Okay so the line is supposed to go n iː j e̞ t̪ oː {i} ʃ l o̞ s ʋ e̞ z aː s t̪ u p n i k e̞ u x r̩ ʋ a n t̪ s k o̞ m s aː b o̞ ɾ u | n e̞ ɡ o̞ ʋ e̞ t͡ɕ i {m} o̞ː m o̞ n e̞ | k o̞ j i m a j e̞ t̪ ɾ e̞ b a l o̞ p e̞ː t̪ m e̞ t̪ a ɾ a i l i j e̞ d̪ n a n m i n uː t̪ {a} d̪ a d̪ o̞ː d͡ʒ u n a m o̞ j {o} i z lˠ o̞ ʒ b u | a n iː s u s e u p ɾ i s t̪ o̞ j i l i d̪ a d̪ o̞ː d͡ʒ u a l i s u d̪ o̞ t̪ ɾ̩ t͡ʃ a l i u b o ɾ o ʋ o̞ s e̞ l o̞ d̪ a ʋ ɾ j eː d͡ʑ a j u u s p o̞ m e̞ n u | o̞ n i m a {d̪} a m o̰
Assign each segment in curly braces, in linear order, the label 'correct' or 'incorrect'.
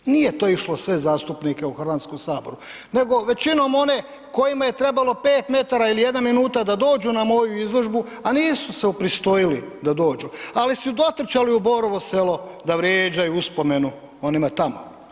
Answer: correct, incorrect: n, correct, incorrect: u, incorrect: t̪

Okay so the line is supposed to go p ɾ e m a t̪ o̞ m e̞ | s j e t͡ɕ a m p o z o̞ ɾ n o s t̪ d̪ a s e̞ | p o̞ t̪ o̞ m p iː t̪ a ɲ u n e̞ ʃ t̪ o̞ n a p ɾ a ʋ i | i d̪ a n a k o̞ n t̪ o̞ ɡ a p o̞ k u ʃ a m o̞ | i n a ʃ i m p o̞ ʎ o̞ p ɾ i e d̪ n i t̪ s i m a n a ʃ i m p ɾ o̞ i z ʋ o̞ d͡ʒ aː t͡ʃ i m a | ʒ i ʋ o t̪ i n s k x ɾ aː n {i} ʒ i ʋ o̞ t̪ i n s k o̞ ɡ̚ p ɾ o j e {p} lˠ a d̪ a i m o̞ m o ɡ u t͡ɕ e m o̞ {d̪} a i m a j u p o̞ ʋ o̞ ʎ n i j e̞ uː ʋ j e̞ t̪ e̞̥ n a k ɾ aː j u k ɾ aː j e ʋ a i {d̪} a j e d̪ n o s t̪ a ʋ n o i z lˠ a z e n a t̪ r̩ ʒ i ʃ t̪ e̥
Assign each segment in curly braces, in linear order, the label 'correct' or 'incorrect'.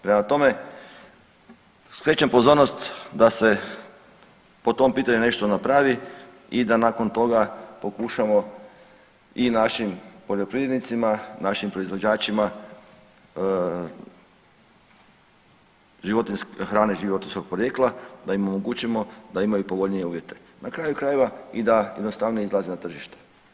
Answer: incorrect: e, incorrect: k, correct, correct

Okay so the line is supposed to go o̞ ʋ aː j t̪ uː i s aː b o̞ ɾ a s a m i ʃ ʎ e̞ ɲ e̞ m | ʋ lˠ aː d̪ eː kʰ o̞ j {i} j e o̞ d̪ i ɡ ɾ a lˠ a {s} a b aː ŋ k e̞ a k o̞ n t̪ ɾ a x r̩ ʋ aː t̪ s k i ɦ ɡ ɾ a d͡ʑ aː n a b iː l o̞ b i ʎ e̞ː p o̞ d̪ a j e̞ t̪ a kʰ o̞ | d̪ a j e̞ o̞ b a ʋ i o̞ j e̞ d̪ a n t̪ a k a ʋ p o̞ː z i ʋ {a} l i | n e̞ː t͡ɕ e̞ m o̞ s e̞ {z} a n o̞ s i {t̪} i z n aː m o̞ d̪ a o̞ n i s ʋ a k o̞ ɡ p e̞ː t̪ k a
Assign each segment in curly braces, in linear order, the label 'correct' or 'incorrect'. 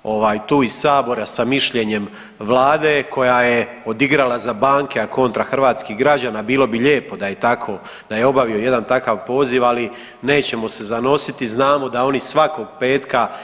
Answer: incorrect: a, incorrect: z, correct, correct, correct

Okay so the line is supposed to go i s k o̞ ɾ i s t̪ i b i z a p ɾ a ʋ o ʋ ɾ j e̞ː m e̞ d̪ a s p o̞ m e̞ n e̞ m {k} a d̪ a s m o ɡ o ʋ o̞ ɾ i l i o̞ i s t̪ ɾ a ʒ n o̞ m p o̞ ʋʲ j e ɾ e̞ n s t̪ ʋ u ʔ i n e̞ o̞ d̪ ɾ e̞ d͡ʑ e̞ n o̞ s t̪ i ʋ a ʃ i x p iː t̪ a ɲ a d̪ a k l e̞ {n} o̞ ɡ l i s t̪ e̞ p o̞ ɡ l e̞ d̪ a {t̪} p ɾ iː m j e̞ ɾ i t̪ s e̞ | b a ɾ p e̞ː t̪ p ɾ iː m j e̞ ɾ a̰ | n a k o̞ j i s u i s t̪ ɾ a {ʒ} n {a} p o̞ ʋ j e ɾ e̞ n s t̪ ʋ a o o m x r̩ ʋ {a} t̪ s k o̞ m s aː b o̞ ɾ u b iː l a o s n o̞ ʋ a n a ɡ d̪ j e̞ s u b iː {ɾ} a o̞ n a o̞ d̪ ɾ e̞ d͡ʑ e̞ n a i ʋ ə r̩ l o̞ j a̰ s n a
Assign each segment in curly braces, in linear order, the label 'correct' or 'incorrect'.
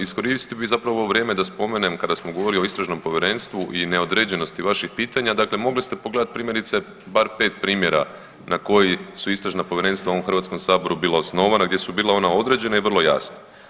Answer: correct, incorrect: m, correct, correct, correct, correct, incorrect: l

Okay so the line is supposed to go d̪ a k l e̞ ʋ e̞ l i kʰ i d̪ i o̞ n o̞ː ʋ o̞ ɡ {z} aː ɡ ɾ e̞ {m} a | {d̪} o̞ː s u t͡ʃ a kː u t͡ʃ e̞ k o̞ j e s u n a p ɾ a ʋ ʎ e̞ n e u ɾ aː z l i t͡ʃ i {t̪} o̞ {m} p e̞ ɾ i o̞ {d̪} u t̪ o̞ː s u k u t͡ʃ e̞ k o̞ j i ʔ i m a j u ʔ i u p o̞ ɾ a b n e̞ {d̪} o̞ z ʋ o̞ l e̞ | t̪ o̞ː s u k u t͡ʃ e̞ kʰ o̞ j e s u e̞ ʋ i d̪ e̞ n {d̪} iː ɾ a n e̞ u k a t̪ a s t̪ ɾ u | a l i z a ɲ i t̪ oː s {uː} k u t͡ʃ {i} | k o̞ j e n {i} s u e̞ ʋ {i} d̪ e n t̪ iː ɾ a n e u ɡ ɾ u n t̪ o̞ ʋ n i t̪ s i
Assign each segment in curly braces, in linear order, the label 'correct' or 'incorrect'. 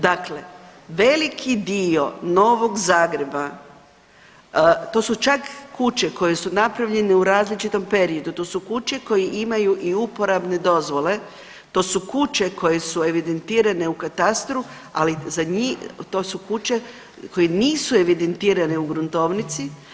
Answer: correct, incorrect: b, incorrect: t̪, correct, correct, correct, correct, incorrect: t̪, incorrect: u, incorrect: e, incorrect: iː, correct

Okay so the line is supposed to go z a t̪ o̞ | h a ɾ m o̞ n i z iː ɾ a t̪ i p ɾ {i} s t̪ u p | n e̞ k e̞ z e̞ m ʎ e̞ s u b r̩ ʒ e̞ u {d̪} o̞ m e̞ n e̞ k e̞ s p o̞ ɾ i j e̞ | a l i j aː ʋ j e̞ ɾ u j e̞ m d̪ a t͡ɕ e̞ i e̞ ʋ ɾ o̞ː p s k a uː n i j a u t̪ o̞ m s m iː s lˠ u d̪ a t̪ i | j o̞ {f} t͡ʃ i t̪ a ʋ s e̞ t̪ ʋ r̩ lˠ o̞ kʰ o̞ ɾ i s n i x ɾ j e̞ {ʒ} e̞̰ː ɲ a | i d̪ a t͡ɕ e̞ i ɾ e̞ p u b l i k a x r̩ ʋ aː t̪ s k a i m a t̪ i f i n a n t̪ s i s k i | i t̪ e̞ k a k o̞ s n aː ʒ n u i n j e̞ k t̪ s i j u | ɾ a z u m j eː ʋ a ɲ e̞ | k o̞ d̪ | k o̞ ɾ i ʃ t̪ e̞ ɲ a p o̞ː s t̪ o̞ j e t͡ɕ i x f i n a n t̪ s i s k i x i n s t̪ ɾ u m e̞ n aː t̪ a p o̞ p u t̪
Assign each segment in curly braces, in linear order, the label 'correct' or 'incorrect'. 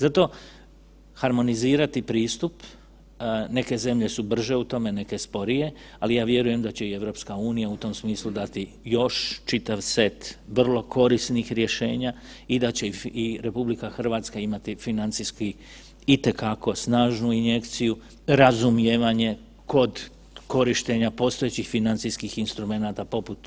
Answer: incorrect: iː, incorrect: t̪, incorrect: ʃ, incorrect: ʃ

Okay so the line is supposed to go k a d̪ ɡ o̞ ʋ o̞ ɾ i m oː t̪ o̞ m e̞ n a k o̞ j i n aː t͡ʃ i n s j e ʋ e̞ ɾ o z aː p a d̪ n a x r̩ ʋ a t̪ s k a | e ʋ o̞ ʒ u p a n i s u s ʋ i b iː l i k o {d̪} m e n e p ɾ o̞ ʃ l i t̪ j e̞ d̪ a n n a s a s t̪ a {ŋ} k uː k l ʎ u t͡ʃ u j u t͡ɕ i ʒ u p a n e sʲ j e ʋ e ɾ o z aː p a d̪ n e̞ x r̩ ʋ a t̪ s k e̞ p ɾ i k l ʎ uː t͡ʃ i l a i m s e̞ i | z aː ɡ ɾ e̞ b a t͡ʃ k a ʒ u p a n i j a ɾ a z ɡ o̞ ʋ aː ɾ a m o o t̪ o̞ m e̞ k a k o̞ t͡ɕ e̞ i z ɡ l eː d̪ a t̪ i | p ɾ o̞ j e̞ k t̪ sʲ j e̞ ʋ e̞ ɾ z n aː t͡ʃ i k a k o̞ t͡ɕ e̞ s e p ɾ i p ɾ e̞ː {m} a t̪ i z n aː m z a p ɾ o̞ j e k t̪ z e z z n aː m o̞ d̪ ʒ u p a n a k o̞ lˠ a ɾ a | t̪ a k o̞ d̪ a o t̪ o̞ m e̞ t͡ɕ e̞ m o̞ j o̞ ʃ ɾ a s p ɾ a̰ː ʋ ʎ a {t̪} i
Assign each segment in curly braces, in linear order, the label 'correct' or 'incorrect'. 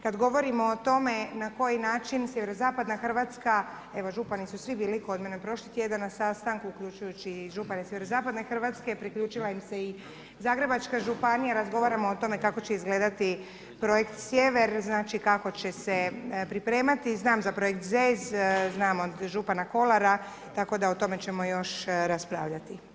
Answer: correct, correct, correct, correct

